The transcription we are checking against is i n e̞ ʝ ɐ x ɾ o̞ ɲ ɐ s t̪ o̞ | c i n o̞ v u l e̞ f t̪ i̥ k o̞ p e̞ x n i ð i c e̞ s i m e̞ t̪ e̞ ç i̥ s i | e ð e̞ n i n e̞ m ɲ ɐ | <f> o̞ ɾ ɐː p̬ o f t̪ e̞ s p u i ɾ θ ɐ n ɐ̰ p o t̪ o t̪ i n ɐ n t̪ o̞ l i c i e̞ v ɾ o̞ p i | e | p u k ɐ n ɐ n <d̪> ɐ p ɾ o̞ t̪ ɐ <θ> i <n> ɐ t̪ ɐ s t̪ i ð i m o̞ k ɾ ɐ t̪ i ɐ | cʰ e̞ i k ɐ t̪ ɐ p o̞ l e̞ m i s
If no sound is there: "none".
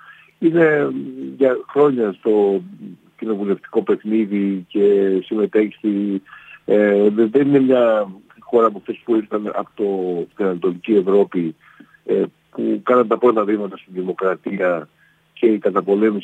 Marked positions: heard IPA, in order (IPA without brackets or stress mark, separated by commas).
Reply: x, t̪, ð, m